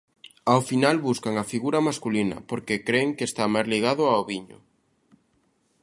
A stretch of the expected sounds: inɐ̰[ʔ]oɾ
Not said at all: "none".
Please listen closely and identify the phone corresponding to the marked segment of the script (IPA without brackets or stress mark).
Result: p